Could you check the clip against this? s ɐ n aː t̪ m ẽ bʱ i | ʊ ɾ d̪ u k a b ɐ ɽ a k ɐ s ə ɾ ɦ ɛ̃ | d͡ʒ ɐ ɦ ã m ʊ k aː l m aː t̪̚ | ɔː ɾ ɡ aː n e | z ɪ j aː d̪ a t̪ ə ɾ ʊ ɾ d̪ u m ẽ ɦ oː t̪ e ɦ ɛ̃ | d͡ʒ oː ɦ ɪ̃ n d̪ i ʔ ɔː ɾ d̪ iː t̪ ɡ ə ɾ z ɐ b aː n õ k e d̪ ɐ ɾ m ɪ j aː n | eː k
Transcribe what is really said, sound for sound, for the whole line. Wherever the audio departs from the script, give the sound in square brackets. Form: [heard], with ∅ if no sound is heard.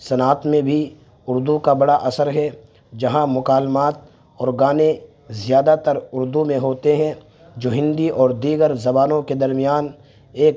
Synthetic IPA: s ɐ n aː t̪ m ẽ bʱ i | ʊ ɾ d̪ u k a b ɐ ɽ a [ʔ] ɐ s ə ɾ ɦ [ɛ] | d͡ʒ ɐ ɦ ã m ʊ k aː l m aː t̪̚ | ɔː ɾ ɡ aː n e | z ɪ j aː d̪ a t̪ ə ɾ ʊ ɾ d̪ u m ẽ ɦ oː t̪ e ɦ ɛ̃ | d͡ʒ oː ɦ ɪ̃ n d̪ i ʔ ɔː ɾ d̪ iː [∅] ɡ ə ɾ z ɐ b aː n õ k e d̪ ɐ ɾ m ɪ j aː n | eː k